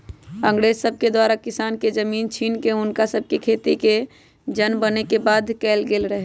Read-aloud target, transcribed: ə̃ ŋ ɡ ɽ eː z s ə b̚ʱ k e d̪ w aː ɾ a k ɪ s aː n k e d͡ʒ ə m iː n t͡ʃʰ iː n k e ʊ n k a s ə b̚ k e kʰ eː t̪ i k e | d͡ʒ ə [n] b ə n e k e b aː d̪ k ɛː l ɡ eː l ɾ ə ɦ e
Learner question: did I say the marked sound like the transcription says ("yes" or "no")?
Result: yes